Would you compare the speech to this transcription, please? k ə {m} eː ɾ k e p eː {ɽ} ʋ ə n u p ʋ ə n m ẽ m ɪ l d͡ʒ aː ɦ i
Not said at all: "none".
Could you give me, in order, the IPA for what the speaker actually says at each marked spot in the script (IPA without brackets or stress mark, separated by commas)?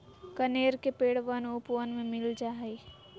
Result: n, ɽ